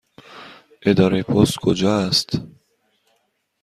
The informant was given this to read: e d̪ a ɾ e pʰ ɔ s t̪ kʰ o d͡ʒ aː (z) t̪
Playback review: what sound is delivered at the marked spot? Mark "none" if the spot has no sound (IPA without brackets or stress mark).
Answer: s